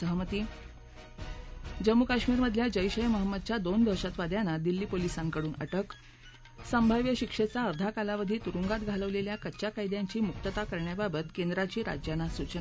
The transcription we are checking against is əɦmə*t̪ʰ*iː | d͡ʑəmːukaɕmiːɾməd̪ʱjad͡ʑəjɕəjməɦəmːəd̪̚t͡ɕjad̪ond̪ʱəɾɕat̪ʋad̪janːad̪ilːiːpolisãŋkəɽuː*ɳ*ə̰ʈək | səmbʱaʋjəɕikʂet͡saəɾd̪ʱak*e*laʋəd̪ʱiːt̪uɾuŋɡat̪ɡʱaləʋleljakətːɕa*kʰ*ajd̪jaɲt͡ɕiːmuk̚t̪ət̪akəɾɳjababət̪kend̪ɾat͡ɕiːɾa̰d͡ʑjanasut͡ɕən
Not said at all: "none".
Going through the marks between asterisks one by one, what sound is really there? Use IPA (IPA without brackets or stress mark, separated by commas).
t̪, n, a, k